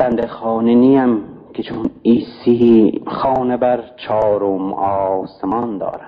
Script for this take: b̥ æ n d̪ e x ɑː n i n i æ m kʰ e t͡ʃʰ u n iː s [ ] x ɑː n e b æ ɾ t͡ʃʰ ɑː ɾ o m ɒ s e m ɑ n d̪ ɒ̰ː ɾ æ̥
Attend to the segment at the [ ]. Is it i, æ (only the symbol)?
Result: i